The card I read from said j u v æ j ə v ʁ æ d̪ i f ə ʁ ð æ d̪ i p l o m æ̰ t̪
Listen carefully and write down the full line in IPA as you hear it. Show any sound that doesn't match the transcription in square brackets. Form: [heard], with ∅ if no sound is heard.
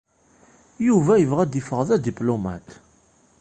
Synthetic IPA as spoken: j u v æ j ə v ʁ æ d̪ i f ə ʁ ð æ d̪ i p l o m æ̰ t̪